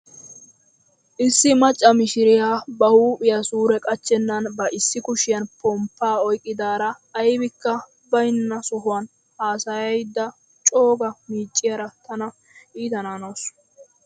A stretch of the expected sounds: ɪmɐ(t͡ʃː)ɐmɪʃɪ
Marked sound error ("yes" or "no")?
yes